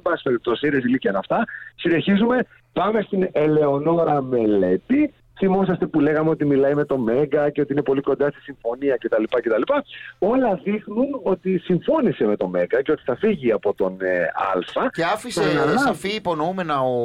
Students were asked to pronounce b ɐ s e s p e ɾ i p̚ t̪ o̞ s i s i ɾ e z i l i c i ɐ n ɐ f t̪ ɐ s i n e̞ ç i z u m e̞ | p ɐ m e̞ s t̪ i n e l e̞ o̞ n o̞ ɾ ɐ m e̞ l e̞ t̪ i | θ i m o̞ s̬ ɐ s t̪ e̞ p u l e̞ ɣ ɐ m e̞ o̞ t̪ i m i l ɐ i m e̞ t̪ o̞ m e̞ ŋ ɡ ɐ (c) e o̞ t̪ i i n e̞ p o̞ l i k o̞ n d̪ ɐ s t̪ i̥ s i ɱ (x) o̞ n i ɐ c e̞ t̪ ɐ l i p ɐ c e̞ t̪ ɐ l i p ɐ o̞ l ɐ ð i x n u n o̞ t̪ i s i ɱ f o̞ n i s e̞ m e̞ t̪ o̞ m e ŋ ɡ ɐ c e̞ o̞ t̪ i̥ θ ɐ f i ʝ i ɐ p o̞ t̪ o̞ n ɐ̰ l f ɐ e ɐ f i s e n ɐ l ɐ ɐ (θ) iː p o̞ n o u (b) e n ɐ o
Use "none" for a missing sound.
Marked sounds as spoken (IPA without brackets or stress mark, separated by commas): c, f, f, m